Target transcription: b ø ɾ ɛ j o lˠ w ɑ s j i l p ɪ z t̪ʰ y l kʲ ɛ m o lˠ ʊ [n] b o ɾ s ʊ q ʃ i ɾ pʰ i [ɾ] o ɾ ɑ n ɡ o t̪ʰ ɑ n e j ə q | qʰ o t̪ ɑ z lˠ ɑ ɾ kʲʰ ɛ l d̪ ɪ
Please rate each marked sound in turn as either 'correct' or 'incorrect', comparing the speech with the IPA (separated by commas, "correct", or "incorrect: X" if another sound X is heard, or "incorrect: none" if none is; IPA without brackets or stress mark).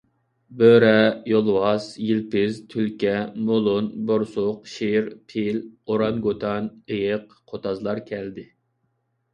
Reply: correct, incorrect: l